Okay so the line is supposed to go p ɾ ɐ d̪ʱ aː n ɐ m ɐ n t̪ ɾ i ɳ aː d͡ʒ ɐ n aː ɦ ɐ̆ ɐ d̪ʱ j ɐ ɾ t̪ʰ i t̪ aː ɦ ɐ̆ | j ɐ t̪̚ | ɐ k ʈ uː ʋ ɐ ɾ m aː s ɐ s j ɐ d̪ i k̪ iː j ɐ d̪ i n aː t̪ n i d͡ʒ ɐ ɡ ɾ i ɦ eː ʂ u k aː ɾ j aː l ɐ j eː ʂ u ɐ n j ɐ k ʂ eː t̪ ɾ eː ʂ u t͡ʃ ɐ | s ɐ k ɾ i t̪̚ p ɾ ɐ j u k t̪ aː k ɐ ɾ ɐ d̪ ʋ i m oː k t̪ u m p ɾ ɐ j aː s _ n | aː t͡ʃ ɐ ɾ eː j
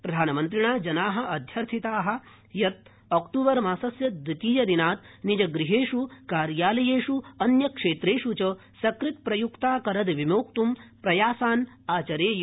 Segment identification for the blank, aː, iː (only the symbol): aː